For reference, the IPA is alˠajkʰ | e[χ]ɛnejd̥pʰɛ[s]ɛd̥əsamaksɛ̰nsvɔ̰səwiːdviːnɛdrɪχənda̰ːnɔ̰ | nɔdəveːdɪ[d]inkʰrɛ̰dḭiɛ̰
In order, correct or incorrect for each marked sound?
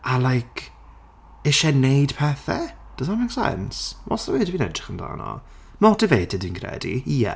incorrect: ʃ, incorrect: θ, correct

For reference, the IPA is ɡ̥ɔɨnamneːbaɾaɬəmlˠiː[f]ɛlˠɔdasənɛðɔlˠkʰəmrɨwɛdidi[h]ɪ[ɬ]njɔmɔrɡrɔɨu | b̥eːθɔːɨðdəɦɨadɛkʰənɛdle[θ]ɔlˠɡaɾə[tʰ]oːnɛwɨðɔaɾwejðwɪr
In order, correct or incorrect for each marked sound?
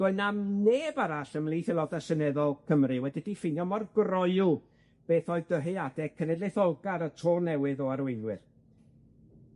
incorrect: θ, incorrect: f, incorrect: none, correct, correct

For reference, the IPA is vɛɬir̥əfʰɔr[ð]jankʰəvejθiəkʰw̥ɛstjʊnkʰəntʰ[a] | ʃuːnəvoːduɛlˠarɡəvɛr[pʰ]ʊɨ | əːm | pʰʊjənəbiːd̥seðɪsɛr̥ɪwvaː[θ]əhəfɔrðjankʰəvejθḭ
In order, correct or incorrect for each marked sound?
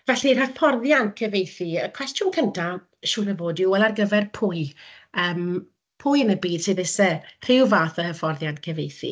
correct, correct, correct, correct

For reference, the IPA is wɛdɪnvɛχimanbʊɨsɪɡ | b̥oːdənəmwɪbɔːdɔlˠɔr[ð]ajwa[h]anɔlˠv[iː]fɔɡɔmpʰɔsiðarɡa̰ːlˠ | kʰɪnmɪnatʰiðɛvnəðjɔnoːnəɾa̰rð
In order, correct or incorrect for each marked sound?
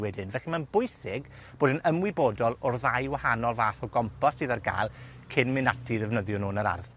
correct, correct, incorrect: aː

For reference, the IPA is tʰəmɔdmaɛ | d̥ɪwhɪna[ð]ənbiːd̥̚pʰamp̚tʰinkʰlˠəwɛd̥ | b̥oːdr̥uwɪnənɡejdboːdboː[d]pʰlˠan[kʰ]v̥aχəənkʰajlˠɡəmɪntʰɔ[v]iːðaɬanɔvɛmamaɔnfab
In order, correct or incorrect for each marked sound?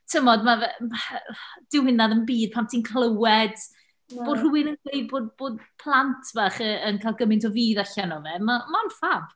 correct, correct, incorrect: tʰ, correct

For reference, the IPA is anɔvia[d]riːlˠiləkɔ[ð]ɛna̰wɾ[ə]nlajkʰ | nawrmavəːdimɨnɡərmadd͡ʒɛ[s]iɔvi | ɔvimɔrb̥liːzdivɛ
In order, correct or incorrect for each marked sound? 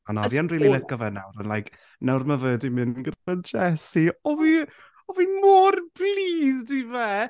incorrect: n, incorrect: v, correct, correct

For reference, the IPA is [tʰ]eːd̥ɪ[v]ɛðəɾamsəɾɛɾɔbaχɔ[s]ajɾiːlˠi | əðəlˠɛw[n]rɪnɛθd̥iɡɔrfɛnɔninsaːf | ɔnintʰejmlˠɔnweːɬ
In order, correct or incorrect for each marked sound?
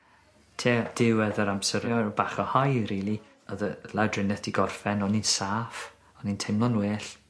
correct, incorrect: w, incorrect: h, incorrect: d

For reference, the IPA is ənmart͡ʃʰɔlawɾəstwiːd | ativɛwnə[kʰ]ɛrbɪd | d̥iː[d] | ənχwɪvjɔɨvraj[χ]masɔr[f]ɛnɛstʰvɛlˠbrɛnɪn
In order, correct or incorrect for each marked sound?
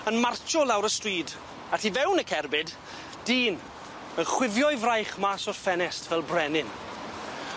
correct, incorrect: n, correct, correct

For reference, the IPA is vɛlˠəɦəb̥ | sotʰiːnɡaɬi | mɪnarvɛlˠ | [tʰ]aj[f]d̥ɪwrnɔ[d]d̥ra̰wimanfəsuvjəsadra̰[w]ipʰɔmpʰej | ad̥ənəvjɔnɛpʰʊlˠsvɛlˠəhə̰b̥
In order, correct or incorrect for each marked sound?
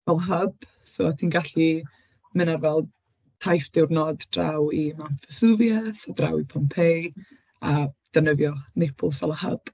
correct, correct, correct, correct

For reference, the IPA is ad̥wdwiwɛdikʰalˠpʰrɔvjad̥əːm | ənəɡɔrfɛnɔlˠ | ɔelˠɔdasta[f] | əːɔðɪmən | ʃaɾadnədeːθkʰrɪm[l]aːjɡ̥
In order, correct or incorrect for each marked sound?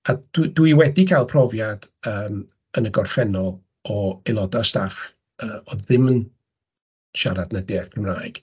correct, incorrect: r

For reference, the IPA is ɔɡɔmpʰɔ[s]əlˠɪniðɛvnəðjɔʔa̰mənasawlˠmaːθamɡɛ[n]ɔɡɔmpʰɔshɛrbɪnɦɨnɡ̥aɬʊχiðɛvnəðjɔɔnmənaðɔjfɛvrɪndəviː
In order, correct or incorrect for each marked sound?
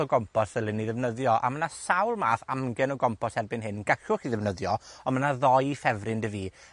correct, correct

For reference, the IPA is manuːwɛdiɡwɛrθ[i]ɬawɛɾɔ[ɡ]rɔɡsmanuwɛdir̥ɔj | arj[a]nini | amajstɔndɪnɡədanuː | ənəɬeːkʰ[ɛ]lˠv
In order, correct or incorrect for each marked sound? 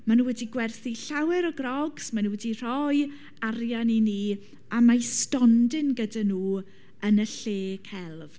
correct, correct, correct, correct

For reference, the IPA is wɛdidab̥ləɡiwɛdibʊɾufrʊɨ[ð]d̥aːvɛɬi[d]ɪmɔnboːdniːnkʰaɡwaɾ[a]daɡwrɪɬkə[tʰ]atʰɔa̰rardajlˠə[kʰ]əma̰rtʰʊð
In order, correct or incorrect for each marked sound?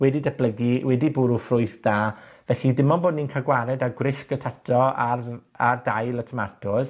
incorrect: θ, correct, incorrect: ɛ, correct, incorrect: tʰ

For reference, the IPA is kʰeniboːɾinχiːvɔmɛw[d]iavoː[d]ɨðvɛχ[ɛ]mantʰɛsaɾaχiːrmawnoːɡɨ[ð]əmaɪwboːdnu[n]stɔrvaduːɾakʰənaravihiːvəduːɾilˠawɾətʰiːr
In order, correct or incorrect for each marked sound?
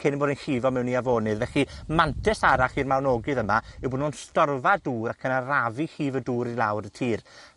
incorrect: n, incorrect: n, incorrect: i, correct, correct

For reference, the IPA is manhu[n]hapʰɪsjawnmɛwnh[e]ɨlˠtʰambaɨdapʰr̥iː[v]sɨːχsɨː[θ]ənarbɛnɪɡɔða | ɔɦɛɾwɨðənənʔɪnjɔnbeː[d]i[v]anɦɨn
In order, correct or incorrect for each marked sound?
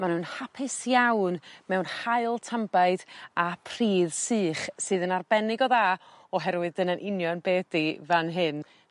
correct, incorrect: a, incorrect: ð, incorrect: ð, correct, correct

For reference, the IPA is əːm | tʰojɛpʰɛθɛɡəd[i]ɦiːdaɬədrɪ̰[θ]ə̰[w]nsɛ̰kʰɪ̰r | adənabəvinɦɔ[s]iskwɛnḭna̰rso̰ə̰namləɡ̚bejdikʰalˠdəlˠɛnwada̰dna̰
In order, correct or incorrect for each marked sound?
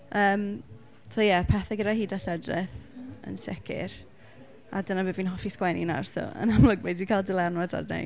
incorrect: a, correct, incorrect: none, incorrect: f

